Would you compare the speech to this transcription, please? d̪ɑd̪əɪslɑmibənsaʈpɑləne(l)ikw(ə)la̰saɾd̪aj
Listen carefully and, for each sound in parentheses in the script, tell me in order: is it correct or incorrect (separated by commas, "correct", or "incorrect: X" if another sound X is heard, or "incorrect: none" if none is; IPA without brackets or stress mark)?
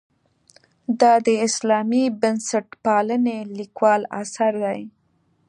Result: correct, incorrect: ɑ